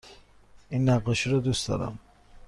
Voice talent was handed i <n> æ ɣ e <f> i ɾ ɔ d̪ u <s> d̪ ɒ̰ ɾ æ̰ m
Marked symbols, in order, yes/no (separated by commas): no, no, yes